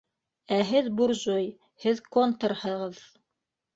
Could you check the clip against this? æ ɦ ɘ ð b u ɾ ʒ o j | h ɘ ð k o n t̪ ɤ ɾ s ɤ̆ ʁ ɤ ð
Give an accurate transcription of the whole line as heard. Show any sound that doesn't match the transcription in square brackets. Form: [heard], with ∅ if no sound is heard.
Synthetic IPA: æ ɦ ɘ ð b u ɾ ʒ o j | h ɘ ð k o n t̪ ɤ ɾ [h] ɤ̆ ʁ ɤ ð